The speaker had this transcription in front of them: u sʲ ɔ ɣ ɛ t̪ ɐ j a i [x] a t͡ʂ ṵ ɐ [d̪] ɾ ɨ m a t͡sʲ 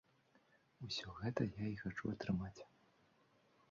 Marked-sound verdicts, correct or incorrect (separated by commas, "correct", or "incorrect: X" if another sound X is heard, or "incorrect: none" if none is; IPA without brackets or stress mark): correct, incorrect: t̪